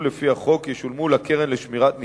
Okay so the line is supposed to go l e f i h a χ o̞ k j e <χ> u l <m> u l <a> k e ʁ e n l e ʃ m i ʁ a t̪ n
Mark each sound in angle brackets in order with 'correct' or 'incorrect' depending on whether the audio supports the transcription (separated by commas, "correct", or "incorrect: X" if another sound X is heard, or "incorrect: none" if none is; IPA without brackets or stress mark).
incorrect: ʃ, correct, correct